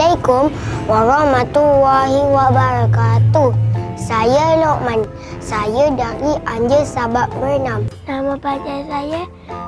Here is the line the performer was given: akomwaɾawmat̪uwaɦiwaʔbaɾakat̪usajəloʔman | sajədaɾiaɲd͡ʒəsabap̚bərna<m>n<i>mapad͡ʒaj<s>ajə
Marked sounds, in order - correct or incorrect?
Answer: correct, incorrect: a, correct

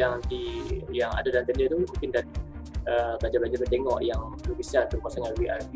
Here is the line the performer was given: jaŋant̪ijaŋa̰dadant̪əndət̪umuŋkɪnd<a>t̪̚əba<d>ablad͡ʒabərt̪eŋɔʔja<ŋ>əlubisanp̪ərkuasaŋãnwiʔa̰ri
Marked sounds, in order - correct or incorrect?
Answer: correct, incorrect: d͡ʒ, correct

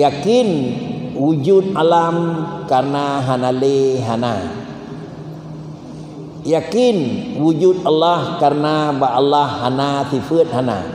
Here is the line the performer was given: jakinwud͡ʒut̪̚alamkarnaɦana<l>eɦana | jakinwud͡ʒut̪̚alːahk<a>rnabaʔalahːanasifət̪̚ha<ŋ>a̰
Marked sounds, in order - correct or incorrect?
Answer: correct, correct, incorrect: n

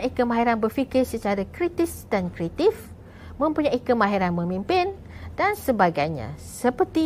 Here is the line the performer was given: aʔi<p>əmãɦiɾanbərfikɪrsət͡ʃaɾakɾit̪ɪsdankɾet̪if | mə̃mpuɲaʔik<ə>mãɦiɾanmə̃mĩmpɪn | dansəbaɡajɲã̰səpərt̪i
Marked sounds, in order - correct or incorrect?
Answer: incorrect: k, correct

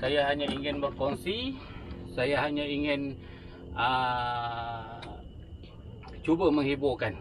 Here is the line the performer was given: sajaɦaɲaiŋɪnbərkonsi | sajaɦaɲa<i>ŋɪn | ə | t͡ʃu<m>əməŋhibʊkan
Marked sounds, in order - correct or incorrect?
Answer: correct, incorrect: b

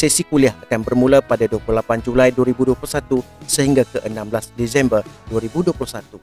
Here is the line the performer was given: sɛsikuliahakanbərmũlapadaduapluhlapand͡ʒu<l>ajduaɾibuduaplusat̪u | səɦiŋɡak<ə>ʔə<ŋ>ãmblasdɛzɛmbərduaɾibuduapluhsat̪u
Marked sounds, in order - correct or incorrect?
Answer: correct, correct, incorrect: n

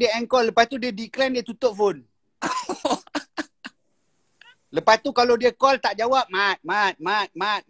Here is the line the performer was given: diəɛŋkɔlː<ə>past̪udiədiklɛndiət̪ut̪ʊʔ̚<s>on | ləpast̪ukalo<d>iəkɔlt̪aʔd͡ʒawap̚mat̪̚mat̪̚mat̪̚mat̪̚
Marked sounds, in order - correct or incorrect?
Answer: correct, incorrect: f, correct

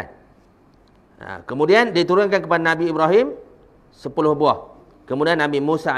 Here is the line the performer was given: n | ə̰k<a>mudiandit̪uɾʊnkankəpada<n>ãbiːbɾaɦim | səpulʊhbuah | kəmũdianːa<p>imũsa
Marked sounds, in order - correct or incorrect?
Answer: incorrect: ə, correct, incorrect: b

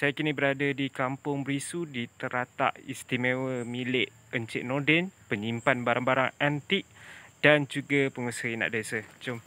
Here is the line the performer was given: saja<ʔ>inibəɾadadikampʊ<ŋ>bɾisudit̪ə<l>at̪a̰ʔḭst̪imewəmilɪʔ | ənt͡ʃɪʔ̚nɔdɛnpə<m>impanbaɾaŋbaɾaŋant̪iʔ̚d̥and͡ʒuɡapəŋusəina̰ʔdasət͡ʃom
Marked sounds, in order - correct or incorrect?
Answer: incorrect: k, correct, incorrect: ɾ, incorrect: ɲ

